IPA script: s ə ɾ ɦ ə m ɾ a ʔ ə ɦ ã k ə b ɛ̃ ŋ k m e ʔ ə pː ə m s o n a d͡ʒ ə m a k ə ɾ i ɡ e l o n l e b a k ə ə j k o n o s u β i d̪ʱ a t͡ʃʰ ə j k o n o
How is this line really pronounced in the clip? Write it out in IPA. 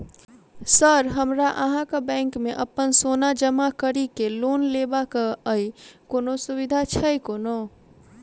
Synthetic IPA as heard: s ə ɾ ɦ ə m ɾ a ʔ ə ɦ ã k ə b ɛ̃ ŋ k m e ʔ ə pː ə n s o n a d͡ʒ ə m a k ə ɾ i k e l o n l e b a k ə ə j k o n o s u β i d̪ʱ a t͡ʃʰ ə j k o n o